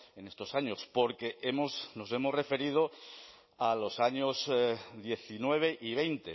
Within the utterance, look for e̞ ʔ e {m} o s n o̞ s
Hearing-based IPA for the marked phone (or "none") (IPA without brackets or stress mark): m